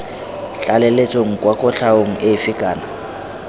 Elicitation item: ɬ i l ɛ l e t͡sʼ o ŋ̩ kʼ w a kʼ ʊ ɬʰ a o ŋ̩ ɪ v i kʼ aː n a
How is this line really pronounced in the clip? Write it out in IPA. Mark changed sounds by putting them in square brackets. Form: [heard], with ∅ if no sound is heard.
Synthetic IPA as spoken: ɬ [a] l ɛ l e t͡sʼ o ŋ̩ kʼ w a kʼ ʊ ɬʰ a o ŋ̩ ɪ [f] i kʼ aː n a